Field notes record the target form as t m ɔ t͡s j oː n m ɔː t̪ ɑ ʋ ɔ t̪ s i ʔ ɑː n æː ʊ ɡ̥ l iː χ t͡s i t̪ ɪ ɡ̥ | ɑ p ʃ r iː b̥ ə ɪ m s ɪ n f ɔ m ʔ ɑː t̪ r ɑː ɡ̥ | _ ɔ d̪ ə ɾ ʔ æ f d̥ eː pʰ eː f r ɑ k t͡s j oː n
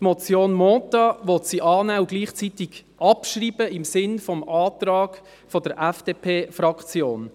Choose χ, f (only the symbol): f